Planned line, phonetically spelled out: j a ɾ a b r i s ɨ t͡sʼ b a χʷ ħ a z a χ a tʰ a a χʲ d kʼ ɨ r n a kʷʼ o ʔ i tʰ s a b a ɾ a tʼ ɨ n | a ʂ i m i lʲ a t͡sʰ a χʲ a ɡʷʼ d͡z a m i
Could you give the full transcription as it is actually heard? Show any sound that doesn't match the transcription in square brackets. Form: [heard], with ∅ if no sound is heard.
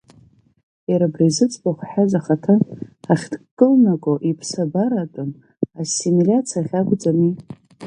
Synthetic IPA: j a ɾ a b r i [z] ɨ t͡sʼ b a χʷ ħ a z a χ a tʰ a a χʲ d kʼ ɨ [l] n a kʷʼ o ʔ i [pʰ] s a b a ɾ a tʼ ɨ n | a [s] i m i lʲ a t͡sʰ a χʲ a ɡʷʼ d͡z a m i